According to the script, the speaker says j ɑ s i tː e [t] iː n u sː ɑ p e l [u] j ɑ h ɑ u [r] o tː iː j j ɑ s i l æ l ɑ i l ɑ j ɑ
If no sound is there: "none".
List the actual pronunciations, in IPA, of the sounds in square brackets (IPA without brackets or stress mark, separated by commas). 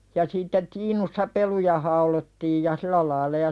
t, u, l